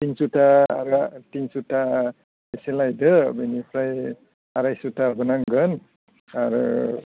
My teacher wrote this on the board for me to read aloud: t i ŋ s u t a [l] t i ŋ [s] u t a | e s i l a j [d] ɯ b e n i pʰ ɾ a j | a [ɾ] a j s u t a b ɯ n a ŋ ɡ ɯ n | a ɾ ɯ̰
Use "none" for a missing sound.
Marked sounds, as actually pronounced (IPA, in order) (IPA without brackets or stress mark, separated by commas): ɾ, s, d, ɾ